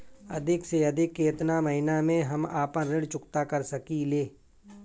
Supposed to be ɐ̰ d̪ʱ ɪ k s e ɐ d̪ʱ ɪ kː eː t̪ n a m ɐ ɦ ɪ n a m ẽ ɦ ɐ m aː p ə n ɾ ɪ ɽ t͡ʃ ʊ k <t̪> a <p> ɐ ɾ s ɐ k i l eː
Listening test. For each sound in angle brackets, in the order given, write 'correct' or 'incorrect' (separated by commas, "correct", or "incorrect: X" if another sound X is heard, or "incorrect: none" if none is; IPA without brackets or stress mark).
correct, incorrect: k